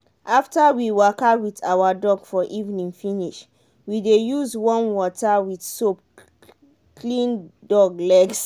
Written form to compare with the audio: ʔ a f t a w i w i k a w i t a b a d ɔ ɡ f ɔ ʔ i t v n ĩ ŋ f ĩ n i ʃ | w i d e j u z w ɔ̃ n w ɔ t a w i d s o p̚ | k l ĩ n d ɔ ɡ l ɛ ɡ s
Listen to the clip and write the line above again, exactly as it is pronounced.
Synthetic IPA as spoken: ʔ a f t a w i w a k a w i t a w a d ɔ ɡ f ɔ ʔ i v n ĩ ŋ f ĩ n i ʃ | w i d e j u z w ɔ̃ n w ɔ t a w i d s o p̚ | k l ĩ n d ɔ ɡ l ɛ ɡ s